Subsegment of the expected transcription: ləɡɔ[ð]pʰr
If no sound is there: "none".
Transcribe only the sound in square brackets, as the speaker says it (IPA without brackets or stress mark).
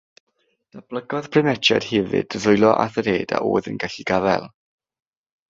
ð